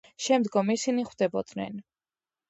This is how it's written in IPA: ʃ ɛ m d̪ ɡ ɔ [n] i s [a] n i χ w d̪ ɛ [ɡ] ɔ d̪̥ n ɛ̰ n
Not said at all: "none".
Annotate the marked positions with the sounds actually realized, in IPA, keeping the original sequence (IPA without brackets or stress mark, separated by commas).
m, i, b